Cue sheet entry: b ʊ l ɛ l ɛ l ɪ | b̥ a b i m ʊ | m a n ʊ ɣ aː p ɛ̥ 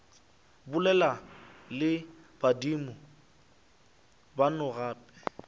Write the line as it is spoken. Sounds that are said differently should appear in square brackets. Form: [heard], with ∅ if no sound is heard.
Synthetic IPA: b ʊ l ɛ l [a] l ɪ | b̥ a [d] i m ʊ | [b] a n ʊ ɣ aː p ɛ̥